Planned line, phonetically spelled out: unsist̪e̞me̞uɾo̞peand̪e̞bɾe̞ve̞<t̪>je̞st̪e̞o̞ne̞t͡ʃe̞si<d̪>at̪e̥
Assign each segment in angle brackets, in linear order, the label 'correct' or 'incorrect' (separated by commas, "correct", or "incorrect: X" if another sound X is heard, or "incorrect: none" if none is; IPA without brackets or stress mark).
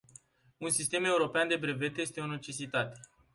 correct, incorrect: t̪